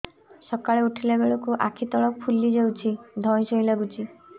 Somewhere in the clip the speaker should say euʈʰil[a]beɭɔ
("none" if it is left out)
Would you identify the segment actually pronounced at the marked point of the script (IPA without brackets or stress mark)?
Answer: e